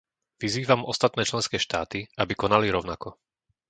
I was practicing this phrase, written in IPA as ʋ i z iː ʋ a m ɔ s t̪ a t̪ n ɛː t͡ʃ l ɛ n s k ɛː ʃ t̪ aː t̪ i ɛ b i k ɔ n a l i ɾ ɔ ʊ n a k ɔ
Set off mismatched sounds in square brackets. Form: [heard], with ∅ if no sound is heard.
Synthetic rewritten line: ʋ i z iː ʋ a m ɔ s t̪ a t̪ n ɛː t͡ʃ l ɛ n s k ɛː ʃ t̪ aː t̪ i [a] b i k ɔ n a l i ɾ ɔ ʊ n a k ɔ